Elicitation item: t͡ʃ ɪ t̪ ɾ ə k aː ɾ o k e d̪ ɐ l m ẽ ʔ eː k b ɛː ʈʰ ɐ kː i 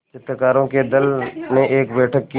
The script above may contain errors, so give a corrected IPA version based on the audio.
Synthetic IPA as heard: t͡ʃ ɪ t̪ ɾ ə k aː ɾ õ k e d̪ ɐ l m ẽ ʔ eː k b ɛː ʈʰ ə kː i